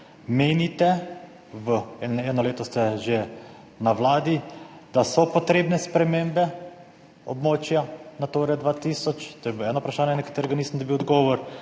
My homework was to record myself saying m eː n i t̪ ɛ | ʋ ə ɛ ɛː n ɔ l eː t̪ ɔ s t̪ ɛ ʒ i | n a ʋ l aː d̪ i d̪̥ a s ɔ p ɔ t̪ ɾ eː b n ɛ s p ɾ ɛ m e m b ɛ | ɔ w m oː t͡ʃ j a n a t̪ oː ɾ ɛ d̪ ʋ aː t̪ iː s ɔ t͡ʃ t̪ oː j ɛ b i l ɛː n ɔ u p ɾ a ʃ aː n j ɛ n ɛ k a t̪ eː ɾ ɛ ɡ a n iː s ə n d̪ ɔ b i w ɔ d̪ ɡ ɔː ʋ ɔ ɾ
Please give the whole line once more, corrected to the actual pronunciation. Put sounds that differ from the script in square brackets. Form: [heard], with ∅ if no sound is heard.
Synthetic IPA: m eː n i t̪ ɛ | ʋ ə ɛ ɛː n ɔ l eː t̪ ɔ s t̪ ɛ ʒ [e] | n a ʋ l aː d̪ i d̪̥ a s ɔ p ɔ t̪ ɾ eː b n ɛ s p ɾ ɛ m e m b ɛ | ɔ [b] m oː t͡ʃ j a n a t̪ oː ɾ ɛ d̪ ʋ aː t̪ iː s ɔ t͡ʃ t̪ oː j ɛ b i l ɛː n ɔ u p ɾ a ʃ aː n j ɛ n ɛ k a t̪ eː ɾ ɛ ɡ a n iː s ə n d̪ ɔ b i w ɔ d̪ ɡ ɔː ʋ ɔ ɾ

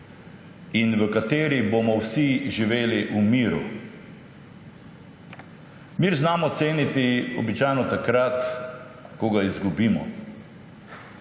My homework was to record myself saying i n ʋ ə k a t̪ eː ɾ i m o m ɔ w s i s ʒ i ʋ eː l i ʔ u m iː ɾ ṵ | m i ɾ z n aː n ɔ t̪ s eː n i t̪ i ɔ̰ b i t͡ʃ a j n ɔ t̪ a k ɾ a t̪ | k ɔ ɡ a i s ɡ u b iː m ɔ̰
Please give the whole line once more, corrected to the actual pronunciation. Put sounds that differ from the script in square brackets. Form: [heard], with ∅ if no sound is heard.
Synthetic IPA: i n ʋ ə k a t̪ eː ɾ i [b] o m ɔ w s i [∅] ʒ i ʋ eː l i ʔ u m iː ɾ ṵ | m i ɾ z n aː [m] ɔ t̪ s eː n i t̪ i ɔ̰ b i t͡ʃ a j n ɔ t̪ a k ɾ a t̪ | k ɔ ɡ a i [z] ɡ u b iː m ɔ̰

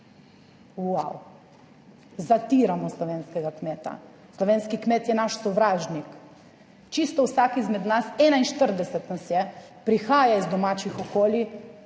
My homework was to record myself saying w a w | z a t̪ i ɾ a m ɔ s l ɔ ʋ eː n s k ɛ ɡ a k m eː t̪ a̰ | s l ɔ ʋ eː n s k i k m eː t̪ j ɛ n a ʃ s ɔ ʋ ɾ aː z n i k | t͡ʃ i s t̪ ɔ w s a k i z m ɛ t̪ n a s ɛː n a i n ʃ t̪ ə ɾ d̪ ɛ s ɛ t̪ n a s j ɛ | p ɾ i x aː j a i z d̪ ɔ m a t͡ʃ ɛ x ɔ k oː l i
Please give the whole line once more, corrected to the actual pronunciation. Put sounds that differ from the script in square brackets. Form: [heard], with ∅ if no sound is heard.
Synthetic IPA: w a w | z a t̪ i ɾ a m ɔ s l ɔ ʋ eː n s k ɛ ɡ a k m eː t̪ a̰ | s l ɔ ʋ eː n s k i k m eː t̪ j ɛ n a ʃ s ɔ ʋ ɾ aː [ʒ] n i k | t͡ʃ i s t̪ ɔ w s a k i z m ɛ [d̪] n a s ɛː n a i n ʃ t̪ ə ɾ d̪ ɛ s ɛ t̪ n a s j ɛ | p ɾ i x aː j a i z d̪ ɔ m a t͡ʃ [i] x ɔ k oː l i

